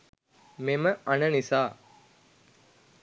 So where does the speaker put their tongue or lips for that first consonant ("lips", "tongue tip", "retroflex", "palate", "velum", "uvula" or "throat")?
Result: lips